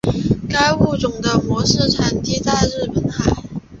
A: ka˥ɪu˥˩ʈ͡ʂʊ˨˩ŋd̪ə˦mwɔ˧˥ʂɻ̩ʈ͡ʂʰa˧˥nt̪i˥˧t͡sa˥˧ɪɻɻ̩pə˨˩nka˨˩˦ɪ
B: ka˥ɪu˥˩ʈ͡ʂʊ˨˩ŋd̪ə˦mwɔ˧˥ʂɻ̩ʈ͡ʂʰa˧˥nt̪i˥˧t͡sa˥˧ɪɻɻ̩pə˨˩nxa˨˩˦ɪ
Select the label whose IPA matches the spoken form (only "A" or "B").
B